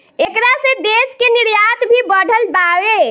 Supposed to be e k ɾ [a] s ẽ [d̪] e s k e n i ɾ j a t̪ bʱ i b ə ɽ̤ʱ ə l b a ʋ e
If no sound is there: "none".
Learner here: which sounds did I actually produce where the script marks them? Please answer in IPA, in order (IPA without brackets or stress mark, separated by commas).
a, d̪